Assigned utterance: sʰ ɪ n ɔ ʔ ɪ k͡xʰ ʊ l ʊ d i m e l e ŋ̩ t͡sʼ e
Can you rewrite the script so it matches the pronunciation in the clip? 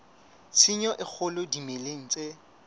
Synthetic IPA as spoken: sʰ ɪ ɲ ɔ ʔ ɪ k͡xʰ ʊ l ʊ d i m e l e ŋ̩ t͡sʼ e